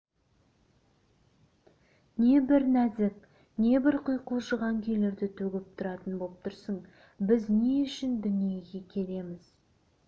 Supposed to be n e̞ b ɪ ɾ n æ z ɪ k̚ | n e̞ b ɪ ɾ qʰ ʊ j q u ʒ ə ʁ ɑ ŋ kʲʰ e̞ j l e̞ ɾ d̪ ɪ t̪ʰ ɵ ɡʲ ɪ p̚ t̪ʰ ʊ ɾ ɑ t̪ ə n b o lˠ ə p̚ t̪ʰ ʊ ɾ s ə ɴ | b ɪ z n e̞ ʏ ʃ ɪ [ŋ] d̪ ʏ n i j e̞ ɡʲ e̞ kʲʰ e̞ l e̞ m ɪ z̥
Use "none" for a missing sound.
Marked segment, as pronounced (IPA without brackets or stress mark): n